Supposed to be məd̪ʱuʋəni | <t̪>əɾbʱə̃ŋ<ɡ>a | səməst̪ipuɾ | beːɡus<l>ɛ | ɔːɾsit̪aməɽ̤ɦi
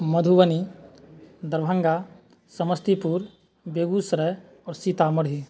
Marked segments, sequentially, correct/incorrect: incorrect, correct, incorrect

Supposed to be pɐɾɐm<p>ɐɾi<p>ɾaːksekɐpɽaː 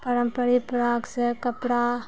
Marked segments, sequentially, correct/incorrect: correct, correct

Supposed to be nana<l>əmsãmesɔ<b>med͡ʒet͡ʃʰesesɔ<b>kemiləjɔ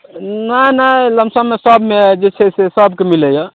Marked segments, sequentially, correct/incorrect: correct, correct, correct

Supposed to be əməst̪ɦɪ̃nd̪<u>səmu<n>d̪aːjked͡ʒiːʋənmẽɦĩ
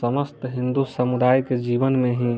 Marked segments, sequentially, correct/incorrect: correct, incorrect

